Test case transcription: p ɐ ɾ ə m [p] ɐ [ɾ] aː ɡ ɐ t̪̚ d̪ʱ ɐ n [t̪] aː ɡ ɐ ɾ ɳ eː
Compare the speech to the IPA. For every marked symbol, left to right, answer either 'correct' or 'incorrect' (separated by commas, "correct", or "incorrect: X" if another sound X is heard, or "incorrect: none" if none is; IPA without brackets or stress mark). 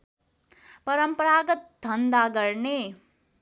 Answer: correct, correct, incorrect: d̪